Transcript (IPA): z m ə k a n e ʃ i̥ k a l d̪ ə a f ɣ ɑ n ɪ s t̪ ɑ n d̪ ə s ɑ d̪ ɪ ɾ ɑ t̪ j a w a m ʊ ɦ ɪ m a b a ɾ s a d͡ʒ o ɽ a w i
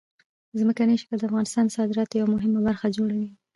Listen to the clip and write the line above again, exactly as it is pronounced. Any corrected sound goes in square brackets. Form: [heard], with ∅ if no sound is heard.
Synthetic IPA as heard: z m ə k a n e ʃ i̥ k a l d̪ ə a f ɣ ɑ n ɪ s t̪ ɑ n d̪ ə s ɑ d̪ ɪ ɾ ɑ t̪ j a w a m ʊ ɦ ɪ m a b a ɾ [x] a d͡ʒ o ɽ a w i